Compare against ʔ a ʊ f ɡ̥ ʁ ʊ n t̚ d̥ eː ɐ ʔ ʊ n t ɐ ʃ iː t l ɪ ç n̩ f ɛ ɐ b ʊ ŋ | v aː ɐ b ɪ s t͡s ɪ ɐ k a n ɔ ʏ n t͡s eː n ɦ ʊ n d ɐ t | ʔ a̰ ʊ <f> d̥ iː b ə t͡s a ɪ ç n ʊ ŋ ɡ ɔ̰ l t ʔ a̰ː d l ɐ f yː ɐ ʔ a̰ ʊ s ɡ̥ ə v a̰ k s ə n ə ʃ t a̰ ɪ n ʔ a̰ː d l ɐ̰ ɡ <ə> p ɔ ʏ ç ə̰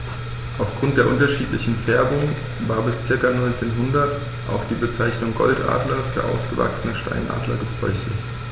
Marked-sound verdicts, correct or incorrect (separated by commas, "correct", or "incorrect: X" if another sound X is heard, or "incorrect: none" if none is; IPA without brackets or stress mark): incorrect: x, correct